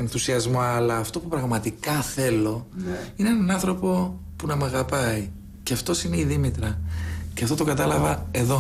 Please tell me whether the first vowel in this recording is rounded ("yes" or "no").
no